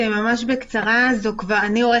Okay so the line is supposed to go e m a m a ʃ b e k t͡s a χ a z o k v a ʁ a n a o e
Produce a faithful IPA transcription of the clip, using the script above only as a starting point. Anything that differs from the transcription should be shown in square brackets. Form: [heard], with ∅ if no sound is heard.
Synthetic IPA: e m a m a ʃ b e k t͡s a [ʁ] a z o k v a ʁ a n [i] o e